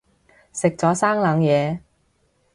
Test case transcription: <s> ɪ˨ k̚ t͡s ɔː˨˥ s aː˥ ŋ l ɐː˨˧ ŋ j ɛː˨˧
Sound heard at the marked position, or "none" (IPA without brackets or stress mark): s